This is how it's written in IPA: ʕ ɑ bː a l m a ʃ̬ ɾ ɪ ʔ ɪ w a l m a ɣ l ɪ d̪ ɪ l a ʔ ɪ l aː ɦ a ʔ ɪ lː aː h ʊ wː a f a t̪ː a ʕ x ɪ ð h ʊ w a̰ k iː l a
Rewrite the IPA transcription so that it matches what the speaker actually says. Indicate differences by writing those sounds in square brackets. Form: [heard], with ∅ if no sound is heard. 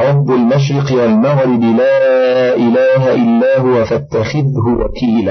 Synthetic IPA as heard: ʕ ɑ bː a l m a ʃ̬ ɾ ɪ [q] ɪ w a l m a ɣ [ɾ] ɪ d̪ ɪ l a ʔ ɪ l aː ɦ a ʔ ɪ lː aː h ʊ [w] a f a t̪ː a [∅] x ɪ ð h ʊ w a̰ k iː l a